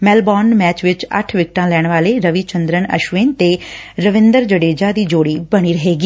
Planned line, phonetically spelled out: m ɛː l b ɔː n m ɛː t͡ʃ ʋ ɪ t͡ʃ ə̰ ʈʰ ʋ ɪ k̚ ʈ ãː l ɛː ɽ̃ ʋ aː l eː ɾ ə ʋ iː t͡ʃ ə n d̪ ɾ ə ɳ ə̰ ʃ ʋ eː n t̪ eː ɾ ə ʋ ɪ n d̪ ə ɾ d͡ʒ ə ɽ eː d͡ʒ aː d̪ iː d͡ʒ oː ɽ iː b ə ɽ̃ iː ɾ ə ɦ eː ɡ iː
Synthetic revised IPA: m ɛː l b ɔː n m ɛː t͡ʃ ʋ ɪ t͡ʃ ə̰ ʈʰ ʋ ɪ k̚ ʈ ãː l ɛː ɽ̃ ʋ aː l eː ɾ ə ʋ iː t͡ʃ ə n d̪ ɾ ə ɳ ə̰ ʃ ʋ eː n t̪ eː ɾ ə ʋ ɪ n d̪ ə ɾ d͡ʒ ə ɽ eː d͡ʒ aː d̪ iː d͡ʒ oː ɽ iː b ə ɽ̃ iː ɾ ə ɦ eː ɡ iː